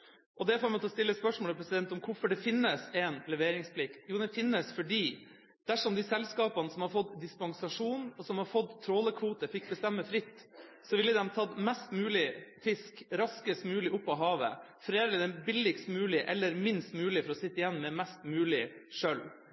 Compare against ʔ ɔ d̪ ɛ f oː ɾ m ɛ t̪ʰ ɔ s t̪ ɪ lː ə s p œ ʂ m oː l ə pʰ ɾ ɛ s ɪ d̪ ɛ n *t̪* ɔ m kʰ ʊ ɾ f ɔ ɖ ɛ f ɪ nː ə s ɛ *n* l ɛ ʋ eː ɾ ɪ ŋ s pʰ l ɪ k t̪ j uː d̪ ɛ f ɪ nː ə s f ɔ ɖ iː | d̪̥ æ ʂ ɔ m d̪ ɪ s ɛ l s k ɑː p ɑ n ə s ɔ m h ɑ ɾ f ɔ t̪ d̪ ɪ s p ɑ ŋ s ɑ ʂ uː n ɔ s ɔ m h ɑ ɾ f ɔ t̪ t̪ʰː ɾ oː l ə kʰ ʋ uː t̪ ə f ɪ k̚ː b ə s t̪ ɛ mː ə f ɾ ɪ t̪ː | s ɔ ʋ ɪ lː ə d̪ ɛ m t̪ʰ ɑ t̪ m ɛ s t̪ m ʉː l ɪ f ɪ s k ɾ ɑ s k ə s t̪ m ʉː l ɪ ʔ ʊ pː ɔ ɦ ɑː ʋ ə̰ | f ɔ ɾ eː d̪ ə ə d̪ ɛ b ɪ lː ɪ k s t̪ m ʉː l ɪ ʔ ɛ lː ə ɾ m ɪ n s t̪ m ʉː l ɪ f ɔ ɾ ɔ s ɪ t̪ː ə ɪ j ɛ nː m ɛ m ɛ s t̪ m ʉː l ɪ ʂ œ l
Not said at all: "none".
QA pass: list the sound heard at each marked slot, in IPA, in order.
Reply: t̪, n

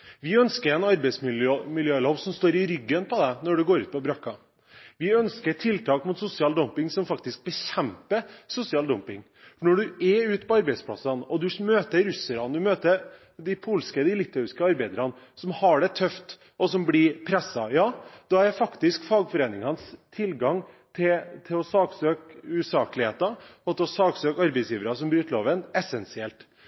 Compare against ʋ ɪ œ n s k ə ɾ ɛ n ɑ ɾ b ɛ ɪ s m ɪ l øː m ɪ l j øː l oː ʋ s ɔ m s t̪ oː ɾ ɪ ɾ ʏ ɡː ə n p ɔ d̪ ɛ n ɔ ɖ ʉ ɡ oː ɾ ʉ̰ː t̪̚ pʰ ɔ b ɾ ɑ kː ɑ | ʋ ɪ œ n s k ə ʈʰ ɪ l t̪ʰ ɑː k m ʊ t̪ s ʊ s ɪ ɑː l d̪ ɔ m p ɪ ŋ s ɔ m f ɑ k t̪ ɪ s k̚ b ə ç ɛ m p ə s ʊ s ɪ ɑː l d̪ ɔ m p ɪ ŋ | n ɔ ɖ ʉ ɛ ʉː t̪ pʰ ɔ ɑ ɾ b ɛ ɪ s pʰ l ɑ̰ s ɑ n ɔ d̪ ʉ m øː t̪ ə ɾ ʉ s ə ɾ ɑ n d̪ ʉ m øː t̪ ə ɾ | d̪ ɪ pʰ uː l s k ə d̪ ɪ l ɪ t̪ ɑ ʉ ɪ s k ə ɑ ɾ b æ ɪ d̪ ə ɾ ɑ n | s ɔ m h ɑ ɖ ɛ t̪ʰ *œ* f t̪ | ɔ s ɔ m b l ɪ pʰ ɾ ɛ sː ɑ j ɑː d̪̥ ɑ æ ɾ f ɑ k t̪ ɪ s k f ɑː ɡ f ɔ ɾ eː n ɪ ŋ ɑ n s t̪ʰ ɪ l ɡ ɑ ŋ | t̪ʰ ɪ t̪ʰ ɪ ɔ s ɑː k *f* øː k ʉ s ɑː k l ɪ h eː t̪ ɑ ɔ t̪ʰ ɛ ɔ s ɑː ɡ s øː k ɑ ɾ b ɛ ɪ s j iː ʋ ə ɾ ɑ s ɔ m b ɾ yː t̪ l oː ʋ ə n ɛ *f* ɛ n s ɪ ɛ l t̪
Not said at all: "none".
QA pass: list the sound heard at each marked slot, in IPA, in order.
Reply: œ, s, s

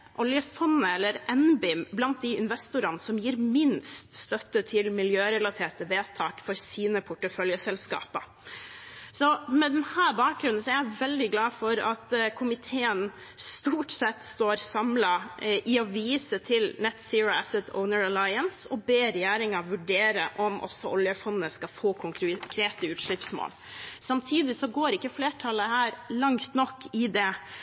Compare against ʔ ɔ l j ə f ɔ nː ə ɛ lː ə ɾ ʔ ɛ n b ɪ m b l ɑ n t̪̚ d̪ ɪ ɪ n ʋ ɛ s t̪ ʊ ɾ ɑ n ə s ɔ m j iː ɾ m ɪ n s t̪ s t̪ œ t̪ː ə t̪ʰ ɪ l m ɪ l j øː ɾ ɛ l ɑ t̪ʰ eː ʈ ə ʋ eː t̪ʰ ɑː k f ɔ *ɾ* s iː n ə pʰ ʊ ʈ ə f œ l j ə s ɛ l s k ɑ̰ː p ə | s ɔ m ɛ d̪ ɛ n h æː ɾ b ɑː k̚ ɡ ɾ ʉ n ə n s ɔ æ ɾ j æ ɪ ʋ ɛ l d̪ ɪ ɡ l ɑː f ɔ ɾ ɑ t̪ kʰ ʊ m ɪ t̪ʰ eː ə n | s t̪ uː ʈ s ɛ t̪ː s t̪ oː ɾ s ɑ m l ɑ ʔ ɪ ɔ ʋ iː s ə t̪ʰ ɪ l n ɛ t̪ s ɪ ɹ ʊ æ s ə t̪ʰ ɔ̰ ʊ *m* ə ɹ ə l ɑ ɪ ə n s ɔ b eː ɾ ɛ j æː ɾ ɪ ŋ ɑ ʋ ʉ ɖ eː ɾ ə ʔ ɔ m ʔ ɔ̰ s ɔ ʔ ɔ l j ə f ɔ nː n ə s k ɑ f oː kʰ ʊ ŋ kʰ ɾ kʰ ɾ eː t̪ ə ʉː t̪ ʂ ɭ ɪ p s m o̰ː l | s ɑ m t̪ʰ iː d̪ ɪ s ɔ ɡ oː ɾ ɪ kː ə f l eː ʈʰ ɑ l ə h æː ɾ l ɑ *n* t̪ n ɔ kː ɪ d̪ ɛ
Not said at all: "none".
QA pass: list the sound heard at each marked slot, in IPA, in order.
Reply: ɾ, n, ŋ

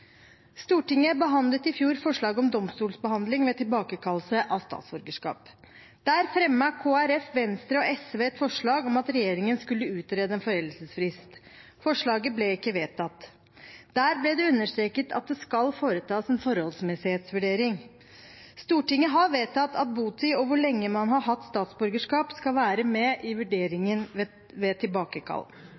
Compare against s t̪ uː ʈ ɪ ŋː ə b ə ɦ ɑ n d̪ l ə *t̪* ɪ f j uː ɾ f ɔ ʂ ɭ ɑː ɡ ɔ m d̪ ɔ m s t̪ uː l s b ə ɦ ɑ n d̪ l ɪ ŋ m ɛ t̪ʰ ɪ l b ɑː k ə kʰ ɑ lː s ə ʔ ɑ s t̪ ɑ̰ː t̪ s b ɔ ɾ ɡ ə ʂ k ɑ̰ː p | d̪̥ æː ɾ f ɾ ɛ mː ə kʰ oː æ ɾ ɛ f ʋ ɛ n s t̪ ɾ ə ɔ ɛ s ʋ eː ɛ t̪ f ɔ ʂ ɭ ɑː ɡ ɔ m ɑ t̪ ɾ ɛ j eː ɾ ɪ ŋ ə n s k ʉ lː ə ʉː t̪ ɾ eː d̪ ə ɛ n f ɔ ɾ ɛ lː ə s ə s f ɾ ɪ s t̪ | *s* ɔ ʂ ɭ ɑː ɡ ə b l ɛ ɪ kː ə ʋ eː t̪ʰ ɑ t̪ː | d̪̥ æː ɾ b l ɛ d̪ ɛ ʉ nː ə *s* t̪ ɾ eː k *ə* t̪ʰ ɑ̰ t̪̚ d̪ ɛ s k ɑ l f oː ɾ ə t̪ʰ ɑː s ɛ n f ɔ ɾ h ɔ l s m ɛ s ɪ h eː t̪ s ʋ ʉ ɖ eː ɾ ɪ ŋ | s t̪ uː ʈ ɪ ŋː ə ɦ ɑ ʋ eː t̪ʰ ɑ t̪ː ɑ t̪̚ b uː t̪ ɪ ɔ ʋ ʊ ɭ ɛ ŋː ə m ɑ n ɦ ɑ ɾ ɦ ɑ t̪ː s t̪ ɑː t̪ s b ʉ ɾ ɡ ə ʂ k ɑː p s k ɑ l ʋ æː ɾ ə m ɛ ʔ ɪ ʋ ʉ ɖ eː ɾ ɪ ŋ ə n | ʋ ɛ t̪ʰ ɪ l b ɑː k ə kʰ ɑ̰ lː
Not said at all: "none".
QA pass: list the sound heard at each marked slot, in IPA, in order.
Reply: t̪, f, ʂ, ə

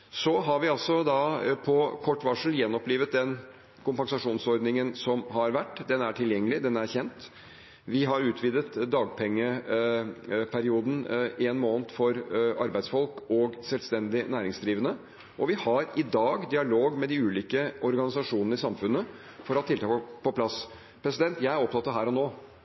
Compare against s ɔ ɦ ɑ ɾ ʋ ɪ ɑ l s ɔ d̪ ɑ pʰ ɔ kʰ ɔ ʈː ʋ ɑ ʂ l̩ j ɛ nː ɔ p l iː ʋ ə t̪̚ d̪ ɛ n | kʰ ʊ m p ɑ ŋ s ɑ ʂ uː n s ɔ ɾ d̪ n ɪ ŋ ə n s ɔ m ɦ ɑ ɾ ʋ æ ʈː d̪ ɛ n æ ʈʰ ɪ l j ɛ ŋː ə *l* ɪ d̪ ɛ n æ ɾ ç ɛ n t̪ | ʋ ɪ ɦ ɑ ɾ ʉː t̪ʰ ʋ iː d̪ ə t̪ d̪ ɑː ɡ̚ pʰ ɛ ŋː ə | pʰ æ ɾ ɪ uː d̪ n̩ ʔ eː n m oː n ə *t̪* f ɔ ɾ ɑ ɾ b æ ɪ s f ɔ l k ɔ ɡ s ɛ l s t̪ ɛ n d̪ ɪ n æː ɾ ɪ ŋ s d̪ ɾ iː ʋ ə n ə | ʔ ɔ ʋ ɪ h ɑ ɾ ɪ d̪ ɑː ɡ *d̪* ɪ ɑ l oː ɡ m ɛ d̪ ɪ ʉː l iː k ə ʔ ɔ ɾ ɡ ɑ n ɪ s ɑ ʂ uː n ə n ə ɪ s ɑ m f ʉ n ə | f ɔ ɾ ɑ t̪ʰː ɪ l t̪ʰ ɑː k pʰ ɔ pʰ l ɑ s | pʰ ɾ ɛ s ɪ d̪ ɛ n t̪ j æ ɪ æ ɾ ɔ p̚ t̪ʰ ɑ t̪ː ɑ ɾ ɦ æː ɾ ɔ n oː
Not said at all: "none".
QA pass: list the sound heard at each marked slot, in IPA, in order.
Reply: l, t̪, d̪

